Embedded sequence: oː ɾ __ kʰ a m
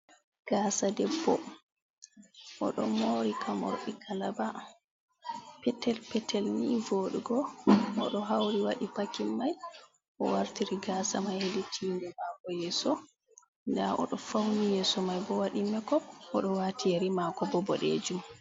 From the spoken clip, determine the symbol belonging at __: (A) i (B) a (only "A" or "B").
A